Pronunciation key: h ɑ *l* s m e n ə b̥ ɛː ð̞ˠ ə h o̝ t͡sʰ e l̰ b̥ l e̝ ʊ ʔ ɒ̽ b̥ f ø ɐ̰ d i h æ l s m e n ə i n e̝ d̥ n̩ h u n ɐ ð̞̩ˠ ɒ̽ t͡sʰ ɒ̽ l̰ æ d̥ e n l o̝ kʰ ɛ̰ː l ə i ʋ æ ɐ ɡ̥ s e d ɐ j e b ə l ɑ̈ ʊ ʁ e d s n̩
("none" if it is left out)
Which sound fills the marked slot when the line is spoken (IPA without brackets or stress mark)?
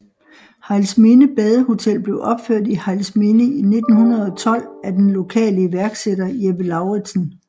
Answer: l